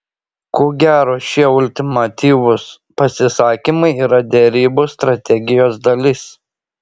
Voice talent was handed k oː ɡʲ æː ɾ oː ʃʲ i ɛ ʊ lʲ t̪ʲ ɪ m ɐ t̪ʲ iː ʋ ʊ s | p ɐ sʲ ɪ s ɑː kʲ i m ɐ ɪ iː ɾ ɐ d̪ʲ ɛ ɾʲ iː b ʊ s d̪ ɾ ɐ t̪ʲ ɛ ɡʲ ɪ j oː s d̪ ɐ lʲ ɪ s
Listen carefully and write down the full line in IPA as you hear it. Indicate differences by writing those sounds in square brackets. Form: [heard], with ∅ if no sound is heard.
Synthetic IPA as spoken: k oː ɡʲ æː ɾ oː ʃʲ i ɛ ʊ lʲ t̪ʲ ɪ m ɐ t̪ʲ iː ʋ ʊ s | p ɐ sʲ ɪ s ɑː kʲ i m ɐ ɪ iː ɾ ɐ d̪ʲ ɛ ɾʲ iː b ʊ s [t̪] ɾ ɐ t̪ʲ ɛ ɡʲ ɪ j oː s d̪ ɐ lʲ ɪ s

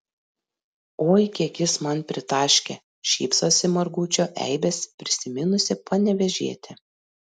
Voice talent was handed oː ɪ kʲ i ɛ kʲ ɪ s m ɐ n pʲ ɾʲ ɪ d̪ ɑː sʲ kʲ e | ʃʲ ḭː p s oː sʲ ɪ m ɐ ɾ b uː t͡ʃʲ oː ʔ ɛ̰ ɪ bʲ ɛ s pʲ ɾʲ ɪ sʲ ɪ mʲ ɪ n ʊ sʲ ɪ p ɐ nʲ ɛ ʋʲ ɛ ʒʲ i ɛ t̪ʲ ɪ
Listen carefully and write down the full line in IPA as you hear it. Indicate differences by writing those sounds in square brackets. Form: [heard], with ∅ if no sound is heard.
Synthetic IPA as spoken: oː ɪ kʲ i ɛ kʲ ɪ s m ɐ n pʲ ɾʲ ɪ [t̪] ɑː [ʃʲ] kʲ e | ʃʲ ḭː p s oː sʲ ɪ m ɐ ɾ [ɡ] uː t͡ʃʲ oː ʔ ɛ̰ ɪ bʲ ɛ s pʲ ɾʲ ɪ sʲ ɪ mʲ ɪ n ʊ sʲ ɪ p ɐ nʲ ɛ ʋʲ ɛ ʒʲ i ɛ t̪ʲ ɪ

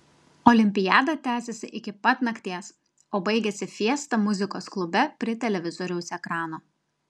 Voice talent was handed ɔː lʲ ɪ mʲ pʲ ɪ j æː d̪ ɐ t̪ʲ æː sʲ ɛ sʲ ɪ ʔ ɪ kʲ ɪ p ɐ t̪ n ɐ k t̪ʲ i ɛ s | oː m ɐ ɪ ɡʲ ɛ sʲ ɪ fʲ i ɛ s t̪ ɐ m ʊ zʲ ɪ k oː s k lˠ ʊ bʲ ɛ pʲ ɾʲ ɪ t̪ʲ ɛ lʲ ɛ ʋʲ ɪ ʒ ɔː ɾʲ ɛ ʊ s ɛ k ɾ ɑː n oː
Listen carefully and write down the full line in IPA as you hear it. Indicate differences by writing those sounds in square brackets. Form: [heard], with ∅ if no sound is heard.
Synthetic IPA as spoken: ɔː lʲ ɪ mʲ pʲ ɪ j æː d̪ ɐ t̪ʲ æː sʲ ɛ sʲ ɪ ʔ ɪ kʲ ɪ p ɐ t̪ n ɐ k t̪ʲ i ɛ s | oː [b] ɐ ɪ ɡʲ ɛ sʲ ɪ fʲ i ɛ s t̪ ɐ m ʊ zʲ ɪ k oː s k lˠ ʊ bʲ ɛ pʲ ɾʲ ɪ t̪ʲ ɛ lʲ ɛ ʋʲ ɪ [z] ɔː ɾʲ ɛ ʊ s ɛ k ɾ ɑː n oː

